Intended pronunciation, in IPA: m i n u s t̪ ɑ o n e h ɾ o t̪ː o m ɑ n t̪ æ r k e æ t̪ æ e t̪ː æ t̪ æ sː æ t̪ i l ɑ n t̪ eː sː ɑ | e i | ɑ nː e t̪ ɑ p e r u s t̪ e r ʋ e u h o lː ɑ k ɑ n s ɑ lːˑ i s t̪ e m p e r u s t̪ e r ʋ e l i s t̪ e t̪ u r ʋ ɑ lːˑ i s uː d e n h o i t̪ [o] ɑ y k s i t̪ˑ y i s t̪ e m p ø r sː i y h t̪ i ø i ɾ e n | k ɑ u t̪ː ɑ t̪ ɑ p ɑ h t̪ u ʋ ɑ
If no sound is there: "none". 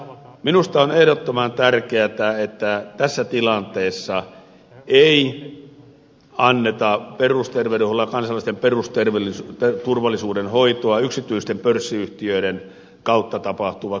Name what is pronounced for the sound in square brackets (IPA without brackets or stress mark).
o